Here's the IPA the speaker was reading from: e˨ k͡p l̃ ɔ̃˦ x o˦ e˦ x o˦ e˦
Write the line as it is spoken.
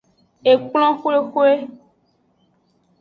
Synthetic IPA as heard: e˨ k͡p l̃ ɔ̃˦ x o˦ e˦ x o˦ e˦